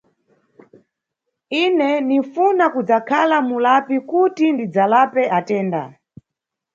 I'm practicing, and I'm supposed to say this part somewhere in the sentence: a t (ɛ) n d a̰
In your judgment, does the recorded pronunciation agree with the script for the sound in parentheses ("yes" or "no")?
no